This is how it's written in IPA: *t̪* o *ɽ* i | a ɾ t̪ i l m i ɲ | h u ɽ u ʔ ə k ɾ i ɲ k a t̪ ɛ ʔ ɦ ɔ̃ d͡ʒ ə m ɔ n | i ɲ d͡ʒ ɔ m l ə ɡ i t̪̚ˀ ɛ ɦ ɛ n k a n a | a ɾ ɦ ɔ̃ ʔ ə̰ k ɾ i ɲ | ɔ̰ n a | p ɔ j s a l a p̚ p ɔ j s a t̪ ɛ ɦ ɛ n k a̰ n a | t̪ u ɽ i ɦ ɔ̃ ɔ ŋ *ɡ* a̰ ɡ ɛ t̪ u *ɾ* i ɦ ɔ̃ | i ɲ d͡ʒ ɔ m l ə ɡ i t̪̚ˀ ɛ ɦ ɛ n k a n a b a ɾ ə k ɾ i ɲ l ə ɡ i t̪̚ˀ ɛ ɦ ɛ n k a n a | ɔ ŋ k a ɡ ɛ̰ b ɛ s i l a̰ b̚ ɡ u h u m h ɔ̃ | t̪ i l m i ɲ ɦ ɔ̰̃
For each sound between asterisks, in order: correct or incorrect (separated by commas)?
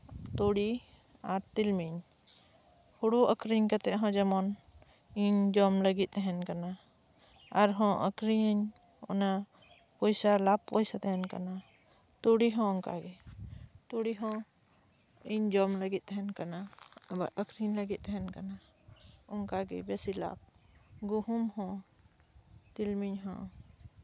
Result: correct, correct, incorrect, incorrect